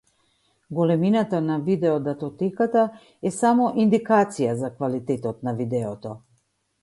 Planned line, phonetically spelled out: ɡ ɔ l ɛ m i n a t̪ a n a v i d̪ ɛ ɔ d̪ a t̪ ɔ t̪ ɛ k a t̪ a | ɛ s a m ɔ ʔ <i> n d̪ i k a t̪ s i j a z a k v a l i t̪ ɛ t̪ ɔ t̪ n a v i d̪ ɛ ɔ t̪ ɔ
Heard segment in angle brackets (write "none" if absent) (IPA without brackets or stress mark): i